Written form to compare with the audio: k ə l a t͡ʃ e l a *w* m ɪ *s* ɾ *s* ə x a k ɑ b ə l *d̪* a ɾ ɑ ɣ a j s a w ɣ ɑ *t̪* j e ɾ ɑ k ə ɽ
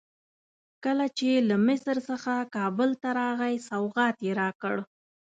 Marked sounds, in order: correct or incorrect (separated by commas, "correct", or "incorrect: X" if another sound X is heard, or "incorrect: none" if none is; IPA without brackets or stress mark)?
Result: incorrect: none, correct, correct, incorrect: t̪, correct